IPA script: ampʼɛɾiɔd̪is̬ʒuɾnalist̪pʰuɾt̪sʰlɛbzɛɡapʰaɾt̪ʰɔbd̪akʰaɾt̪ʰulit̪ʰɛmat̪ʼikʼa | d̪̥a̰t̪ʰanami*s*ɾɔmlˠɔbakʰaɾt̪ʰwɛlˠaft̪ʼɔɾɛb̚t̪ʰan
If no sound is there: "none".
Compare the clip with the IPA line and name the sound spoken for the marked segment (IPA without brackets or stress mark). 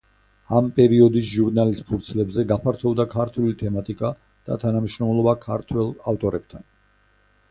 ʃ